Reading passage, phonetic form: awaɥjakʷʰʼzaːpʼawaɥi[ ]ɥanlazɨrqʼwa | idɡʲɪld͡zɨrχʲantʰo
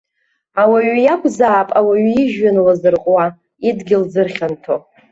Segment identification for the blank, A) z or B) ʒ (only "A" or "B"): B